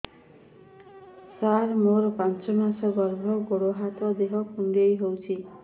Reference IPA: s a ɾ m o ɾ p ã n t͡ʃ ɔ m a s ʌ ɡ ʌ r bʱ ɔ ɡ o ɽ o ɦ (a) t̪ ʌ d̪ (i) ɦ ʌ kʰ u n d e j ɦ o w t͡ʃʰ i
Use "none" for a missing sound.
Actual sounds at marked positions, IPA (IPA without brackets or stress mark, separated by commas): a, e